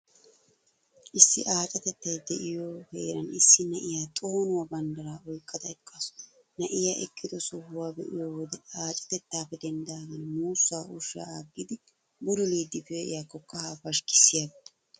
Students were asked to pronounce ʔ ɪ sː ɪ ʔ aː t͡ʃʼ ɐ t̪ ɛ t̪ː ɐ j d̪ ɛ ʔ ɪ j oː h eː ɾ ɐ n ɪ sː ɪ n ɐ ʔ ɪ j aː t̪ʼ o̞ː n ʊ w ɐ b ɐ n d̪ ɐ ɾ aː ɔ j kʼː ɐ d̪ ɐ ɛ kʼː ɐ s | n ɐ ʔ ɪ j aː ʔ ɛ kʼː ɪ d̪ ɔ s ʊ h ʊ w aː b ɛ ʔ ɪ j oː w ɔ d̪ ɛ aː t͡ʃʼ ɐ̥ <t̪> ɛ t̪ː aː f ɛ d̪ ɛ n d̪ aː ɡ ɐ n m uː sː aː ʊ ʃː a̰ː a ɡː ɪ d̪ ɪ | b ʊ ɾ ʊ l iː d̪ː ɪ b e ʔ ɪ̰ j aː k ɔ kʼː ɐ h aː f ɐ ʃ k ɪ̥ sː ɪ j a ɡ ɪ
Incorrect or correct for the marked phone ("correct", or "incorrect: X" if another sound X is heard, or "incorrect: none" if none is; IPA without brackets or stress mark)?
correct